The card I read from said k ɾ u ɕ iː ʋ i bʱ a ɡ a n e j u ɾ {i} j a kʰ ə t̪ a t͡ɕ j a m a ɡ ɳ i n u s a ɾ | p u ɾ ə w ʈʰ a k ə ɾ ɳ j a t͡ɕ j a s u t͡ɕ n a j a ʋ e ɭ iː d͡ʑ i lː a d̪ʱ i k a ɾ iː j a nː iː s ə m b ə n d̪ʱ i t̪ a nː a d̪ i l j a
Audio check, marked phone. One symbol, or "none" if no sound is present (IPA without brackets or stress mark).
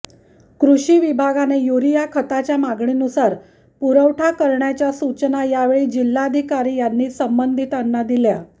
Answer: i